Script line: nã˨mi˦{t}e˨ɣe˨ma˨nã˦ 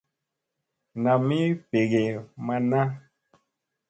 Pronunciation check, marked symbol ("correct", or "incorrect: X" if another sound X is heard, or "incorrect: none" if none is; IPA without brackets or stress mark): incorrect: p